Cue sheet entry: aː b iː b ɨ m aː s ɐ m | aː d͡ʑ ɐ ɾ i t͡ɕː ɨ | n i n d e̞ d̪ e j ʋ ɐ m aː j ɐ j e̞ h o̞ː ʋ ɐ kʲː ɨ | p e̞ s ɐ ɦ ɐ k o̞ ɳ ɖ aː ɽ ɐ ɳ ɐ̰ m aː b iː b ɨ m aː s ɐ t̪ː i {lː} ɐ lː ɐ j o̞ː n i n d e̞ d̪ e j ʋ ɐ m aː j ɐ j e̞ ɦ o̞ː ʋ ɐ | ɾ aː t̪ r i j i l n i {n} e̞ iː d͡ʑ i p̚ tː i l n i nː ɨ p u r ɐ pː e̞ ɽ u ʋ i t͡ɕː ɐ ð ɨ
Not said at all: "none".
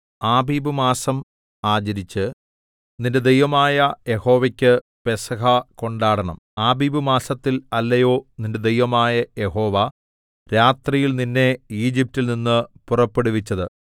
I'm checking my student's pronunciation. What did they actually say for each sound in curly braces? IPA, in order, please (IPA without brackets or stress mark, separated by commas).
l, nː